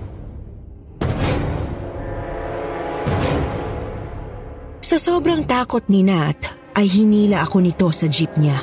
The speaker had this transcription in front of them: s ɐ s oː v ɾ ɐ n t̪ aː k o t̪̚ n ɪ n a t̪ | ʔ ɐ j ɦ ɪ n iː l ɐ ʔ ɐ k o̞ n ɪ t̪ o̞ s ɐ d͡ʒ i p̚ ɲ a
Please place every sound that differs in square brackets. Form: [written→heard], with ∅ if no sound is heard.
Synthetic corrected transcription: s ɐ s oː [v→b] ɾ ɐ [n→ŋ] t̪ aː k o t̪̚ n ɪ n a t̪ | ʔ ɐ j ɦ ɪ n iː l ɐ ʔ ɐ k o̞ n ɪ t̪ o̞ s ɐ d͡ʒ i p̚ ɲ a